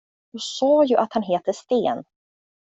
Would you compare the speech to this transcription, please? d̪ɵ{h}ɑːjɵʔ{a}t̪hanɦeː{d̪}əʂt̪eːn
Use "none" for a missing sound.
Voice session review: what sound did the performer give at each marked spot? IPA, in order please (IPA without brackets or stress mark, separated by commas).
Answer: s, a, t̪